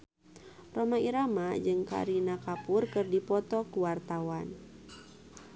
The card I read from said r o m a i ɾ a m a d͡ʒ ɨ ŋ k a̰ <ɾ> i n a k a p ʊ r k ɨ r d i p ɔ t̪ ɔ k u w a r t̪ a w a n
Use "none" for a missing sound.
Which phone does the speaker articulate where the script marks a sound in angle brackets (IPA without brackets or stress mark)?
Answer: ɾ